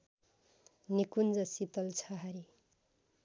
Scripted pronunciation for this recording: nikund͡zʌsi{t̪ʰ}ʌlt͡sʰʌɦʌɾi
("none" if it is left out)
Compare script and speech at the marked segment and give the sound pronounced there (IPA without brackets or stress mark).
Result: t̪